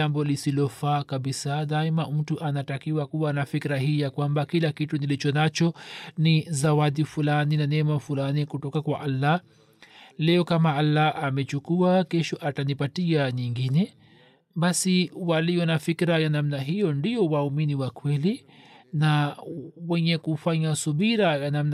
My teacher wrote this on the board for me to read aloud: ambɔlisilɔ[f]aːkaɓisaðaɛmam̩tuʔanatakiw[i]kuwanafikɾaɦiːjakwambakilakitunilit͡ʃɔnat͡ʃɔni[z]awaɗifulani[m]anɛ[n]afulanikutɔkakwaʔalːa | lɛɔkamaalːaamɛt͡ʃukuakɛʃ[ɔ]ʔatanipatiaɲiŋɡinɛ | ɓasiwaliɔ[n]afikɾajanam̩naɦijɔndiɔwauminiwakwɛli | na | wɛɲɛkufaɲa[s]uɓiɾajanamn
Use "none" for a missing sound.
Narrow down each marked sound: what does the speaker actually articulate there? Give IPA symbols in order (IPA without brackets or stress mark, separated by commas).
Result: f, a, z, n, m, ɔ, n, s